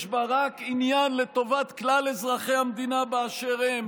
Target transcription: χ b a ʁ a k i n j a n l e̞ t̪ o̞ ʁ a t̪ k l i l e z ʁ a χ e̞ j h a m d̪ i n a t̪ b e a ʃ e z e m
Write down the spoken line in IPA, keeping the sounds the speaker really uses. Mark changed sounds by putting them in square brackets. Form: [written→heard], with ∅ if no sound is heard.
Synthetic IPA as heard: [χ→ʃ] b a ʁ a k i n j a n l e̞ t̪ o̞ [ʁ→v] a t̪ k l [i→a] l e z ʁ a χ e̞ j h a m d̪ i n a [t̪→∅] b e a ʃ e [z→ʁ] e m